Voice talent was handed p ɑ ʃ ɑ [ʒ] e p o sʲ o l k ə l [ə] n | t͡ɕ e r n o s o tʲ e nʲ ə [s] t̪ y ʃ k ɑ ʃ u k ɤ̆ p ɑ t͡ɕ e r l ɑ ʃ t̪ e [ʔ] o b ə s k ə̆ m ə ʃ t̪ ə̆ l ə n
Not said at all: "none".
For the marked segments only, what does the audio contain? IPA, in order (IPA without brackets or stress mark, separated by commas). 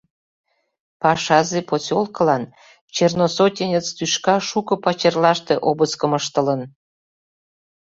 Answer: z, ɑ, t͡s, ʔ